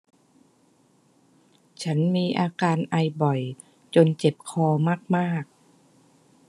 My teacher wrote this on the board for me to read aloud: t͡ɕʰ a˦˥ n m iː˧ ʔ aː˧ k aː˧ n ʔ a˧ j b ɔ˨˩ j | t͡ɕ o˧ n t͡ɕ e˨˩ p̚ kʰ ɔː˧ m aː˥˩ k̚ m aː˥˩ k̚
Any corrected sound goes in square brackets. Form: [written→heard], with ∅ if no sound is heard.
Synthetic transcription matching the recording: t͡ɕʰ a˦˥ n m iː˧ ʔ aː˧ k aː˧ n ʔ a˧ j b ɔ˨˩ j | t͡ɕ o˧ n t͡ɕ e˨˩ p̚ kʰ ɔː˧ m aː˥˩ k̚ m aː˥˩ k̚